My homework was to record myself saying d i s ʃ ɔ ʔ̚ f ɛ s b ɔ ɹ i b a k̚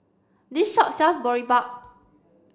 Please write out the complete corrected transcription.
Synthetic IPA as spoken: d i s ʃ ɔ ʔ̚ s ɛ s b ɔ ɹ i b a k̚